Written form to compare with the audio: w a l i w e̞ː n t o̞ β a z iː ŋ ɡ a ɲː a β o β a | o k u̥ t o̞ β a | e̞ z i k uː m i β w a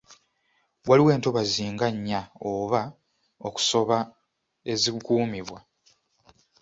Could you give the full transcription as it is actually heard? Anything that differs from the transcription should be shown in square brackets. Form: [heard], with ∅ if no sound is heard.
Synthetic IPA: w a l i w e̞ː n t o̞ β a z iː ŋ ɡ a ɲː a [∅] o β a | o k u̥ [s] o̞ β a | e̞ z i k uː m i β w a